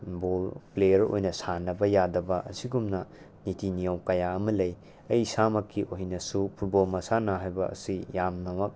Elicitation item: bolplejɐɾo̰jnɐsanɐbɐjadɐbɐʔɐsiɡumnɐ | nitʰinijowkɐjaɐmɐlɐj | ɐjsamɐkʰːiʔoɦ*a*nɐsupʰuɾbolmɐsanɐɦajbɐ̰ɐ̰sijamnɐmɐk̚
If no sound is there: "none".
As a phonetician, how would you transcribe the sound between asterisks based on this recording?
i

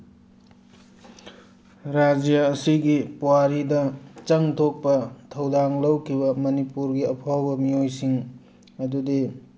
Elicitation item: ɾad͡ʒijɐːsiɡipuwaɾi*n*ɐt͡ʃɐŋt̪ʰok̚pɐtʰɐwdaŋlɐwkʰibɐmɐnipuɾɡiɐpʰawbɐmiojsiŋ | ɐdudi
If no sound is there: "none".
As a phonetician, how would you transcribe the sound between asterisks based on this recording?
d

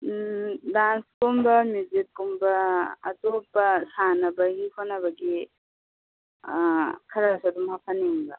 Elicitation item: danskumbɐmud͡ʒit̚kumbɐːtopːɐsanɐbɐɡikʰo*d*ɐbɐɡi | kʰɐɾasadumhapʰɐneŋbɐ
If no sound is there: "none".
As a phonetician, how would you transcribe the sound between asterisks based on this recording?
n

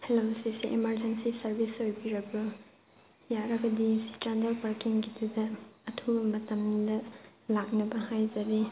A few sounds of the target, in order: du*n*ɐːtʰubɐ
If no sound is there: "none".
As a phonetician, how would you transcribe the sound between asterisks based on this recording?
d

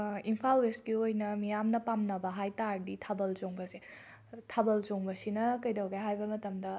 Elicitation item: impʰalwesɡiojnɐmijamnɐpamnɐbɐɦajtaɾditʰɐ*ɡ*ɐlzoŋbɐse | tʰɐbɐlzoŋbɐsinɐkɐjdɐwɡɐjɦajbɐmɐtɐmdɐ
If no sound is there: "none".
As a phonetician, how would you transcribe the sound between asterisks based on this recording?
b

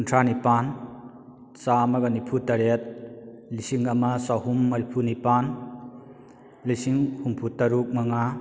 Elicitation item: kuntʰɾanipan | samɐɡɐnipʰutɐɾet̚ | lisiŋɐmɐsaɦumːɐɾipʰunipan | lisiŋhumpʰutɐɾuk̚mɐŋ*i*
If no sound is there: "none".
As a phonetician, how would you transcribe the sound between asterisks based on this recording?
a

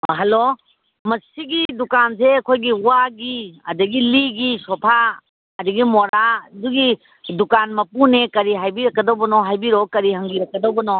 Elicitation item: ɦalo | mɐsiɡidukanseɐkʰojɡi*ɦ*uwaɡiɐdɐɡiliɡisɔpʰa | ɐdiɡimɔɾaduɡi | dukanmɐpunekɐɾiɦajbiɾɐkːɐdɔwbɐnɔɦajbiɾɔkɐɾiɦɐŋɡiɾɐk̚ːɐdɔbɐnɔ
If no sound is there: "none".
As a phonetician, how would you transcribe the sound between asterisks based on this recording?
none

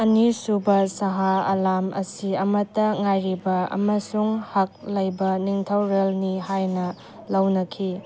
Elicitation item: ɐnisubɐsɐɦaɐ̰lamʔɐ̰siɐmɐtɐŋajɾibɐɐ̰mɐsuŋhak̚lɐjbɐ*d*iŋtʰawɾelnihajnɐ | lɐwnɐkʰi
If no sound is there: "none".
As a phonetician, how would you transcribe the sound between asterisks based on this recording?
n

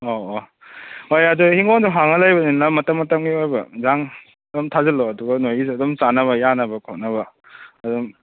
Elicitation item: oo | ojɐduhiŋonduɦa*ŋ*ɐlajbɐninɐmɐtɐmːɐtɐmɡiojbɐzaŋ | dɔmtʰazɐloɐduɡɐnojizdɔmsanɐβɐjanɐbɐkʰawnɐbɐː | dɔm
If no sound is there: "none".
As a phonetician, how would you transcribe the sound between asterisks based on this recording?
ŋ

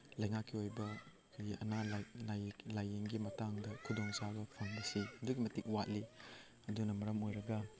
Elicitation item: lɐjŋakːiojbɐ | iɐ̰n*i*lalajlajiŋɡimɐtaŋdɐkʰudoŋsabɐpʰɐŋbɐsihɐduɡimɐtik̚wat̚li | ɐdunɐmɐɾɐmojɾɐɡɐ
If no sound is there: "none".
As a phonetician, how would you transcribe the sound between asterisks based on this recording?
a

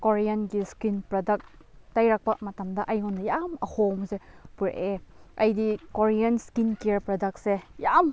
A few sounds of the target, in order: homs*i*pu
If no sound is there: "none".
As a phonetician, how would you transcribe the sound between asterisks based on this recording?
e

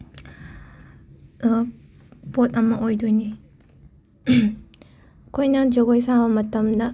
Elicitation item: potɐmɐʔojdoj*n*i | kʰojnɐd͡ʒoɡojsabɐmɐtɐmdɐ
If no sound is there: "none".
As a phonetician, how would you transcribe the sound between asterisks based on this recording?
n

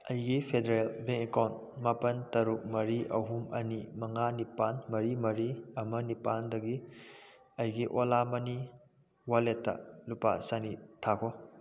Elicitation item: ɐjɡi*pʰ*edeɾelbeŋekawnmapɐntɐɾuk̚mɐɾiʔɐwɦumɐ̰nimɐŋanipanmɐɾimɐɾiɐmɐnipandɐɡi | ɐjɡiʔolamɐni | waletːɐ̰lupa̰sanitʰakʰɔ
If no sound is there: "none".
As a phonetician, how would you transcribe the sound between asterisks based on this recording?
pʰ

